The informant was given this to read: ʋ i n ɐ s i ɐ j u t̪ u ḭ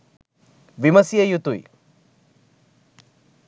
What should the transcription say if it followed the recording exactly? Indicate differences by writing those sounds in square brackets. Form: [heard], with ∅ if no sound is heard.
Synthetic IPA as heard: ʋ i [m] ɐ s [j] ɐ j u t̪ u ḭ

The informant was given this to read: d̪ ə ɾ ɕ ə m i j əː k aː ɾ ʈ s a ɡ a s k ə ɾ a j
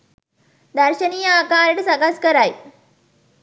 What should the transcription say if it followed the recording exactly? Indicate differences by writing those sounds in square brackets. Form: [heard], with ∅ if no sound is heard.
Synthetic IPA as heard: d̪ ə ɾ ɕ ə [n] i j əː k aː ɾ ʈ s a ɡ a s k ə ɾ a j

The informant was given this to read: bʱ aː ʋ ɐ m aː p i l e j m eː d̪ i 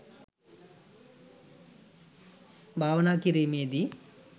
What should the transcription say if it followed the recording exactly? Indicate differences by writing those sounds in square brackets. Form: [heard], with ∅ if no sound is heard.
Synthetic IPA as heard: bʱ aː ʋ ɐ [n] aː [k] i [ɾ] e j m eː d̪ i

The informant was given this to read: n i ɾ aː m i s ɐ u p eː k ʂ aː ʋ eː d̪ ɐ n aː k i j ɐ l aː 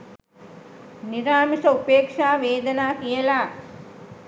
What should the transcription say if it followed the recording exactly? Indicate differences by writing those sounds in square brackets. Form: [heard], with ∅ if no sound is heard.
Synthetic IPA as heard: n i ɾ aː m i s ɐ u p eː k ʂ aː ʋ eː d̪ ɐ n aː k i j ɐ l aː

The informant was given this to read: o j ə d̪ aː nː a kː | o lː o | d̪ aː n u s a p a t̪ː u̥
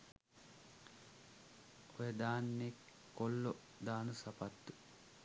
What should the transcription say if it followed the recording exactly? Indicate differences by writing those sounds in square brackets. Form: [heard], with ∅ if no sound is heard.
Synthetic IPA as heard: o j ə d̪ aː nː [e] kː | o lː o | d̪ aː n u s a p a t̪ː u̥

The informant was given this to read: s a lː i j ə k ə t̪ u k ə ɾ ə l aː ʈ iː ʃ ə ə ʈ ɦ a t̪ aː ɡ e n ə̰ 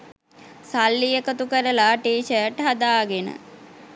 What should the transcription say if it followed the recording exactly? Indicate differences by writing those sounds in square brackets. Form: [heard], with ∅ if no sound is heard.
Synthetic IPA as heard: s a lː i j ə k ə t̪ u k ə ɾ ə l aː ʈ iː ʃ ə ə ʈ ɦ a [d̪] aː ɡ e n ə̰

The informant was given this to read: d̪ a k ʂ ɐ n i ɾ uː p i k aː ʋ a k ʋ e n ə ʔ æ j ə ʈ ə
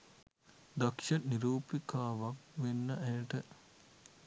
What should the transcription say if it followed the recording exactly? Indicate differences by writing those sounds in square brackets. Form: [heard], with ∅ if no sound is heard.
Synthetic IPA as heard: d̪ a k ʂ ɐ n i ɾ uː p i k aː ʋ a k ʋ e [nː] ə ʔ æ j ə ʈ ə

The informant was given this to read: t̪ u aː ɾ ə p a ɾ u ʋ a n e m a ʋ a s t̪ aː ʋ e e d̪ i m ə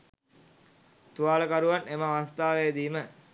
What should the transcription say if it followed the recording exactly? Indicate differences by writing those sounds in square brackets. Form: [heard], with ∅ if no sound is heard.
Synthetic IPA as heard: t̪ u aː [l] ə [k] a ɾ u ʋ a n e m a ʋ a s t̪ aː ʋ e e d̪ [iː] m ə

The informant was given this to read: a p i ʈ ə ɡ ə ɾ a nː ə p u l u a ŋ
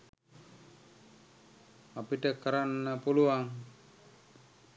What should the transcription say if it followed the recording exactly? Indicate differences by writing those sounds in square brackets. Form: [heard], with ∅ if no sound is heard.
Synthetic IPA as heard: a p i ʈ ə [k] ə ɾ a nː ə p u l u a ŋ

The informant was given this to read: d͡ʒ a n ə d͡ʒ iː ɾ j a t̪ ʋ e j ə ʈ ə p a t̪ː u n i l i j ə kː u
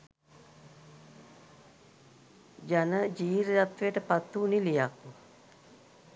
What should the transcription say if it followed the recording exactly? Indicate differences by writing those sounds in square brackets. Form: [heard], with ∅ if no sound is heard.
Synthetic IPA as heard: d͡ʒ a n ə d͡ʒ iː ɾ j a t̪ ʋ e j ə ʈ ə p a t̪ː u n i l i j [a] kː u

